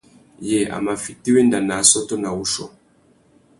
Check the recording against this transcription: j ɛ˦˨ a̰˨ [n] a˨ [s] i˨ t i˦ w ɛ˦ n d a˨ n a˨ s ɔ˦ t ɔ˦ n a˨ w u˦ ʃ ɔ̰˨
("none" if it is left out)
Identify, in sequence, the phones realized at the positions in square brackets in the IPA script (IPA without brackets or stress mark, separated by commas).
m, f